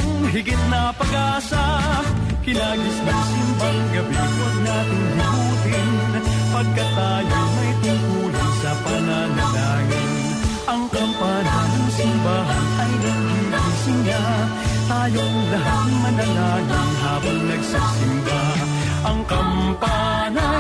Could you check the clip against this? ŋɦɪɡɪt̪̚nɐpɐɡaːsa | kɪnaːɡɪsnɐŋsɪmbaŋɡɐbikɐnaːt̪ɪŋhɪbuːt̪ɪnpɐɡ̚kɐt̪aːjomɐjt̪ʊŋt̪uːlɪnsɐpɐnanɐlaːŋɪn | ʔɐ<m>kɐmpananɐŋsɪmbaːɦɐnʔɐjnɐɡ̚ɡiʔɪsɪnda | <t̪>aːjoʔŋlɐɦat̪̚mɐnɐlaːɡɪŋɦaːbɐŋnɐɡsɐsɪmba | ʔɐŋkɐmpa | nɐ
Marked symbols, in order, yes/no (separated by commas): no, yes